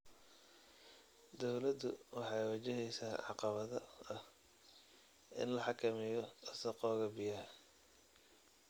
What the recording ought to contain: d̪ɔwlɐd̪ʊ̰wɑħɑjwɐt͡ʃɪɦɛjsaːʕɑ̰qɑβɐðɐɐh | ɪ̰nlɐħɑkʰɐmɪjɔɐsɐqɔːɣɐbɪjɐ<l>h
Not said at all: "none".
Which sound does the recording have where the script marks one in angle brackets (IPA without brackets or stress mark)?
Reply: none